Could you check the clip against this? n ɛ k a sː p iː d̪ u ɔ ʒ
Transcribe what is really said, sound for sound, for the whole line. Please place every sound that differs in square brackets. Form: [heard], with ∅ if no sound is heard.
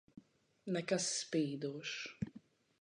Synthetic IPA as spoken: n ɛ k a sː p iː d̪ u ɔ [ʃ]